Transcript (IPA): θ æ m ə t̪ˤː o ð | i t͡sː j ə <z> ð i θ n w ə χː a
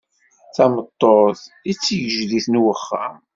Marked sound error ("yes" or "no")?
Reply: yes